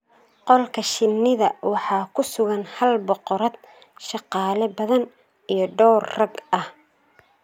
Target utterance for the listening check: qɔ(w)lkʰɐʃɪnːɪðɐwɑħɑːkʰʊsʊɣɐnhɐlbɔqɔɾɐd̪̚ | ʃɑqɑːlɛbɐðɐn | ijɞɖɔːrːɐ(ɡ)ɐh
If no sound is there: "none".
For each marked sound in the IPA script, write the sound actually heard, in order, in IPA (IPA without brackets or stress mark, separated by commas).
none, ɡ